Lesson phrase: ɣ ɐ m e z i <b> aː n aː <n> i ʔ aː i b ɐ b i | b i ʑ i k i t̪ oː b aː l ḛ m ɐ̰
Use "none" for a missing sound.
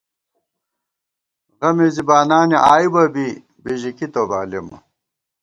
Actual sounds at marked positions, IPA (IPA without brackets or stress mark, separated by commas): b, n